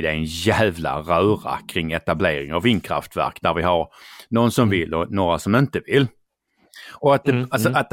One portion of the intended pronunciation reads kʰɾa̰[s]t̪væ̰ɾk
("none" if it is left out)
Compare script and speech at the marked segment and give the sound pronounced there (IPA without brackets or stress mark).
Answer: f